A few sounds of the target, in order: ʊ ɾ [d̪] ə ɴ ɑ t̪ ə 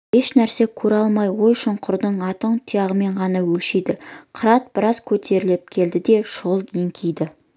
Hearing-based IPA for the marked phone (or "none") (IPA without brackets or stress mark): d̪